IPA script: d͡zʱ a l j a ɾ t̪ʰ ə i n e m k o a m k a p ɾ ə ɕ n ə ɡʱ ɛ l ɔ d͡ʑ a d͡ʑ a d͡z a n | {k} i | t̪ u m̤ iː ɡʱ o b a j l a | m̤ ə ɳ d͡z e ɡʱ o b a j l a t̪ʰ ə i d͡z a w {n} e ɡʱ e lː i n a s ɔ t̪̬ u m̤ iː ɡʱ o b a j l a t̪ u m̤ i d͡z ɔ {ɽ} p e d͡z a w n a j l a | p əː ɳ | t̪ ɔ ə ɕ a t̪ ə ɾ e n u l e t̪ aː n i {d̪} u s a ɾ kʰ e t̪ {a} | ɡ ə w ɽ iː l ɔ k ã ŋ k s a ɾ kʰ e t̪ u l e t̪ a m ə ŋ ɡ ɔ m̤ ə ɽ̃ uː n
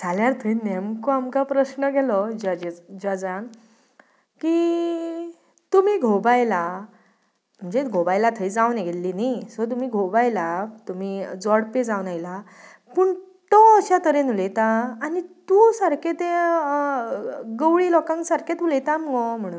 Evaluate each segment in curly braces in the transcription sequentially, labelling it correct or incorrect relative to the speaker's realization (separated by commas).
correct, correct, correct, incorrect, incorrect